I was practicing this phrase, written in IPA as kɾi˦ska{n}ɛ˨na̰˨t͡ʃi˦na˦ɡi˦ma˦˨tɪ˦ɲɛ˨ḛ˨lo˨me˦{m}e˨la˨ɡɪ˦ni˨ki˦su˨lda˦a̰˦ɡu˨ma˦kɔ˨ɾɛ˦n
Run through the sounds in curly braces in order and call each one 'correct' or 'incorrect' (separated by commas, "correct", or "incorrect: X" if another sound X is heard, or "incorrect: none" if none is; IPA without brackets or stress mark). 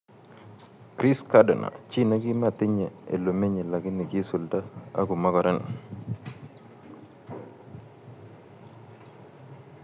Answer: incorrect: d, incorrect: ɲ